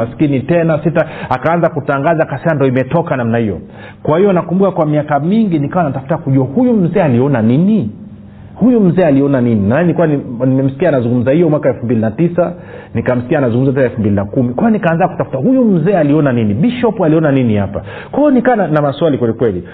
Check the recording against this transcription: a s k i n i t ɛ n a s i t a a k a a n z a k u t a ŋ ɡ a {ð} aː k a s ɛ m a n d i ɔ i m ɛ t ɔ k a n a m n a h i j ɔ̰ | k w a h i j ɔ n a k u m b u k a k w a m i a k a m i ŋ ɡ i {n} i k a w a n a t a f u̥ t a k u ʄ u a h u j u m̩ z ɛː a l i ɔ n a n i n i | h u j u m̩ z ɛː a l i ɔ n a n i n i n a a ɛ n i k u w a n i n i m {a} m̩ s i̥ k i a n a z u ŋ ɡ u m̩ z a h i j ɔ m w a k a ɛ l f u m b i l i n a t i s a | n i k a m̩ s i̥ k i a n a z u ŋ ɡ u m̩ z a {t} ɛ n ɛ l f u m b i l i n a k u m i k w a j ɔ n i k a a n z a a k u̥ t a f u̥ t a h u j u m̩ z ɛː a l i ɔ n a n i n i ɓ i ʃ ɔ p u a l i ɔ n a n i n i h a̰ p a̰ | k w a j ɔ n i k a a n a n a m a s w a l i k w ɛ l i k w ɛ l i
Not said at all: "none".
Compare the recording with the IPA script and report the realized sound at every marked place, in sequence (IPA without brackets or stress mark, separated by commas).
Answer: z, n, ɛ, t